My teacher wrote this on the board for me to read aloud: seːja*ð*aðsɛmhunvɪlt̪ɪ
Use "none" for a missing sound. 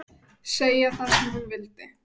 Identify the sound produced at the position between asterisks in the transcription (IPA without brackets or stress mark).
θ